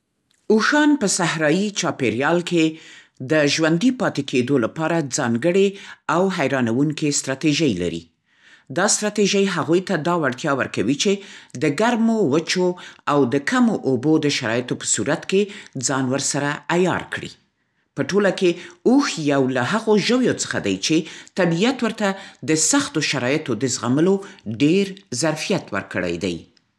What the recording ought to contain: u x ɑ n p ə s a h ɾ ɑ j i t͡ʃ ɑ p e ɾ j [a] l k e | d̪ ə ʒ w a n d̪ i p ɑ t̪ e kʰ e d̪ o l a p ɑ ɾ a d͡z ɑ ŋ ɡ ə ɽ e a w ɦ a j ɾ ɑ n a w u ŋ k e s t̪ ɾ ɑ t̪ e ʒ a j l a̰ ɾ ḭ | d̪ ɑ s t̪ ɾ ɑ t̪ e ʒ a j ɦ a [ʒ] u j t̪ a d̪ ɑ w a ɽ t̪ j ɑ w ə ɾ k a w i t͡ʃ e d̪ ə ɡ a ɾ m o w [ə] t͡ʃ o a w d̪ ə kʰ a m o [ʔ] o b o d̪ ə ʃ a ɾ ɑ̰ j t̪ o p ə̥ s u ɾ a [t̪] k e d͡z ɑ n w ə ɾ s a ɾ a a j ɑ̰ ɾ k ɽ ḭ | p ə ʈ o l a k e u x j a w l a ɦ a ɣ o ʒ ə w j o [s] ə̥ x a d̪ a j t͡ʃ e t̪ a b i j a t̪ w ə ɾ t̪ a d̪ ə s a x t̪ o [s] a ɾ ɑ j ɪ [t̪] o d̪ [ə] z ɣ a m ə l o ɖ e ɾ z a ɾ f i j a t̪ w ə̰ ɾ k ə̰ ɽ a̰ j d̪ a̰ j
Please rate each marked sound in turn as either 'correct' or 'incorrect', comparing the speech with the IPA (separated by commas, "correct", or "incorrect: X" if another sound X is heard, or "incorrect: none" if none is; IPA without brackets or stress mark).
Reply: incorrect: ɑ, incorrect: ɣ, correct, correct, correct, incorrect: t͡s, incorrect: ʃ, correct, correct